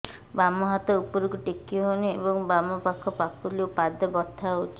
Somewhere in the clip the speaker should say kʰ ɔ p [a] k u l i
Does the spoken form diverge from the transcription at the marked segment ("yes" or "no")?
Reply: no